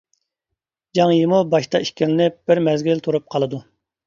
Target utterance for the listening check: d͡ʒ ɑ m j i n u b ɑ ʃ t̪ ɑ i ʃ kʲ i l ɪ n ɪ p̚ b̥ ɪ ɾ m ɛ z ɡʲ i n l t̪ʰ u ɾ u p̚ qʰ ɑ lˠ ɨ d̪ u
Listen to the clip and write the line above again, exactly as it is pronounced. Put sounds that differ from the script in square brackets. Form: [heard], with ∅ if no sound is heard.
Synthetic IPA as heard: d͡ʒ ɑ [ŋ] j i [m] u b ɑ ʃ t̪ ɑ i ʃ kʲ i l ɪ n ɪ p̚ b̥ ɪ ɾ m ɛ z ɡʲ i [∅] l t̪ʰ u ɾ u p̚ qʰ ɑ lˠ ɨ d̪ u